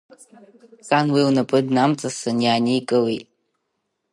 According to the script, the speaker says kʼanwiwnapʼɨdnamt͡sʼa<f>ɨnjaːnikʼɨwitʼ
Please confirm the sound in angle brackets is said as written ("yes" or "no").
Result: no